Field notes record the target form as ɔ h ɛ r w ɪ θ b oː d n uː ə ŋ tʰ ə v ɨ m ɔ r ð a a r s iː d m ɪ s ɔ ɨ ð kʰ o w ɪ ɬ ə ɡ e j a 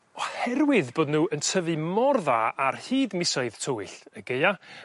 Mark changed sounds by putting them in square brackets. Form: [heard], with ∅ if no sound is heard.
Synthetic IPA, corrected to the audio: ɔ h ɛ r w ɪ [ð] b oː d n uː ə [n] tʰ ə v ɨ m ɔ r ð a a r [h] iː d m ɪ s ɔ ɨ ð [tʰ] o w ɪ ɬ ə ɡ e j a